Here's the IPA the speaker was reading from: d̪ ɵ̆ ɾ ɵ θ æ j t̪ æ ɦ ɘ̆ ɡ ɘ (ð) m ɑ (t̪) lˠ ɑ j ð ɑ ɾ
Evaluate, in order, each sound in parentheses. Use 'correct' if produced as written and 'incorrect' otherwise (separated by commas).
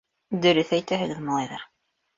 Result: correct, incorrect